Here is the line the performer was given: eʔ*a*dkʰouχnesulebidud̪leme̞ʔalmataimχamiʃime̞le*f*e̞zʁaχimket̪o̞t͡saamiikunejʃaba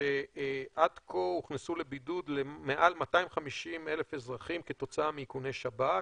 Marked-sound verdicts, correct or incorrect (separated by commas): correct, correct